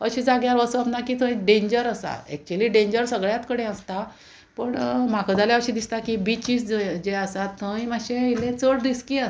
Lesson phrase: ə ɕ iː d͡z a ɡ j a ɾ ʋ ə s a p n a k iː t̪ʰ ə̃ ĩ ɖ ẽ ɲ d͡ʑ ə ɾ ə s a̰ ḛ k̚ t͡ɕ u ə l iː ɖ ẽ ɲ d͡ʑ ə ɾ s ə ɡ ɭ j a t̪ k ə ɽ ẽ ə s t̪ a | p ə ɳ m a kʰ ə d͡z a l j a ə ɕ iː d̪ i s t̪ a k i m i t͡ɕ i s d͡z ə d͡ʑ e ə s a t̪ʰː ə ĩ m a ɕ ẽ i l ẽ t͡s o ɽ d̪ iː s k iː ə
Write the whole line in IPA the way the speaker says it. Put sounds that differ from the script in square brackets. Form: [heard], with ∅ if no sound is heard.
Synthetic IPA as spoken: ə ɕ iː d͡z a ɡ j a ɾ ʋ ə s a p n a k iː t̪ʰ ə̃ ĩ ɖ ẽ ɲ d͡ʑ ə ɾ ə s a̰ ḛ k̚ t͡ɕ u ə l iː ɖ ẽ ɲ d͡ʑ ə ɾ s ə ɡ ɭ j a t̪ k ə ɽ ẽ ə s t̪ a | p ə ɳ m a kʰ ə d͡z a l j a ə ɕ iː d̪ i s t̪ a k i [b] i t͡ɕ i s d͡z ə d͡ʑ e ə s a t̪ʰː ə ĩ m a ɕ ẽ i l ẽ t͡s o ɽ d̪ [i] s k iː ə